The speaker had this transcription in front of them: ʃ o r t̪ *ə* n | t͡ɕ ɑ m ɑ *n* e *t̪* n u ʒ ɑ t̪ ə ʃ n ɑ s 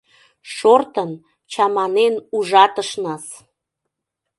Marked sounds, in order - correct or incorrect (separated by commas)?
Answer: correct, correct, incorrect